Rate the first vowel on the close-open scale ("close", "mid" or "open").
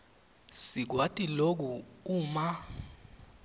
close